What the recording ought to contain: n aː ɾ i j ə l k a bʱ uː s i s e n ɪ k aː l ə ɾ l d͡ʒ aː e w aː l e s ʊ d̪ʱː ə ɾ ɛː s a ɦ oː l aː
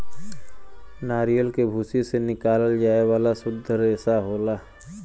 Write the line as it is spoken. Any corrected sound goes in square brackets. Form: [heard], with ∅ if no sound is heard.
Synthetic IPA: n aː ɾ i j ə l k [e] bʱ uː s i s e n ɪ k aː l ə [∅] l d͡ʒ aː e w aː l [a] s ʊ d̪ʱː ə ɾ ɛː s a ɦ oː l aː